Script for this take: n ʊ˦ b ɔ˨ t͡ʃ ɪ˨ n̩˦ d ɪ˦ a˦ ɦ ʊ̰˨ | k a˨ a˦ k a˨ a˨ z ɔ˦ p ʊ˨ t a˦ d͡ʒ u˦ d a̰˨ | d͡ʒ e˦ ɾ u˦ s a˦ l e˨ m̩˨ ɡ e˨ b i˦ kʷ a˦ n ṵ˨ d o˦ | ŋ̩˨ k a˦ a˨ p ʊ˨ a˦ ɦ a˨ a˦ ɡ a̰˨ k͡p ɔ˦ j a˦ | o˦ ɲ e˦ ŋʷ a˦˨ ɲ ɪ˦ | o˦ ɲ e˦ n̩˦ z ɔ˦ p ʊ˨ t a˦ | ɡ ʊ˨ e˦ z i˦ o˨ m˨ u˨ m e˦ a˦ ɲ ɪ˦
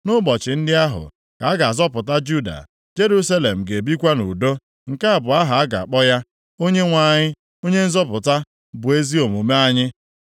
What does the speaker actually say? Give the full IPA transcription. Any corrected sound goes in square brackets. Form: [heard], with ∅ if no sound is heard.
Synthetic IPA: n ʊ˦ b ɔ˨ t͡ʃ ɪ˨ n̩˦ d ɪ˦ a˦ ɦ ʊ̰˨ | k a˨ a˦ [ɡ] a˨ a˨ z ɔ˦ p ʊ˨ t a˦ d͡ʒ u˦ d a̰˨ | d͡ʒ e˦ ɾ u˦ s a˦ l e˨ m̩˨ ɡ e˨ b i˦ kʷ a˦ n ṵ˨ d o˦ | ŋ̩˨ k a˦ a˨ [b] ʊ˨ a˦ ɦ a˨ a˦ ɡ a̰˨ k͡p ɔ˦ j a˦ | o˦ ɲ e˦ ŋʷ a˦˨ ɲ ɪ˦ | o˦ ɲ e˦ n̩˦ z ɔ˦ p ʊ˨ t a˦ | [b] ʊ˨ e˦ z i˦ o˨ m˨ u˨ m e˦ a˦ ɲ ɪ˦